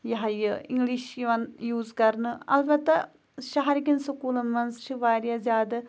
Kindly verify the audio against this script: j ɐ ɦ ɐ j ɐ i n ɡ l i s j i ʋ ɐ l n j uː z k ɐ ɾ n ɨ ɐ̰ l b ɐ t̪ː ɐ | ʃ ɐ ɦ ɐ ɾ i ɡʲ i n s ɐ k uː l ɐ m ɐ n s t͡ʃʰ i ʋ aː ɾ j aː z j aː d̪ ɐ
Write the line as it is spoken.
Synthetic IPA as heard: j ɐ ɦ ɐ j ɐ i ŋ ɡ l i ʃ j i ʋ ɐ n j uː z k ɐ ɾ n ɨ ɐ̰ l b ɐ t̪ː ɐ | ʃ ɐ ɦ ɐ ɾ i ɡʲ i n s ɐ k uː l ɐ m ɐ n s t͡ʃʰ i ʋ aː ɾ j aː z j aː d̪ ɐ